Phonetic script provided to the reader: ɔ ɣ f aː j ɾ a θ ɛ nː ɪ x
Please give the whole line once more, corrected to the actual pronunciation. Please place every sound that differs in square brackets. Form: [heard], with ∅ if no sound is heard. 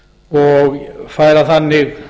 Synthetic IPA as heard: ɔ ɣ f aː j ɾ a θ [a] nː ɪ [ɣ]